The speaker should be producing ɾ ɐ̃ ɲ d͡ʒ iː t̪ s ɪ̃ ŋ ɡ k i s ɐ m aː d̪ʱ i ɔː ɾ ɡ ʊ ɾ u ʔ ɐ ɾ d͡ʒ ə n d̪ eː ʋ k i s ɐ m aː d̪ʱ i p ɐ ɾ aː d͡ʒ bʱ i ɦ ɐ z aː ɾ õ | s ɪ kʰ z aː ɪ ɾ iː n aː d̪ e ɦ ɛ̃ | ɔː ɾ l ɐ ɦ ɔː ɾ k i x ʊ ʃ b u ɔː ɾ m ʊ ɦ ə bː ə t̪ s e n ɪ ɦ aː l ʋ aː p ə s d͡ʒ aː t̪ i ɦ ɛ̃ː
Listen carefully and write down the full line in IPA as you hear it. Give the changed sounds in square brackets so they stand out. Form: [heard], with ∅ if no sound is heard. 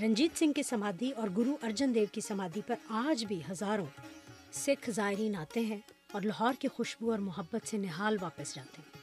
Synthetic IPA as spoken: ɾ ɐ̃ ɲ d͡ʒ iː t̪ s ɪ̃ ŋ ɡ k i s ɐ m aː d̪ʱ i ɔː ɾ ɡ ʊ ɾ u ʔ ɐ ɾ d͡ʒ ə n d̪ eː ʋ k i s ɐ m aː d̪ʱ i p ɐ ɾ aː d͡ʒ bʱ i ɦ ɐ z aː ɾ õ | s ɪ kʰ z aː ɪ ɾ iː n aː [t̪] e ɦ ɛ̃ | ɔː ɾ l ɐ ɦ ɔː ɾ k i x ʊ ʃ b u ɔː ɾ m ʊ ɦ ə bː ə t̪ s e n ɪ ɦ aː l ʋ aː p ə s d͡ʒ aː t̪ [e] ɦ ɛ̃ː